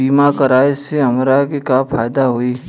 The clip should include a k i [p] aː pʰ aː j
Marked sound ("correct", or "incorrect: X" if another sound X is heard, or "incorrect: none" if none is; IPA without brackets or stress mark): incorrect: k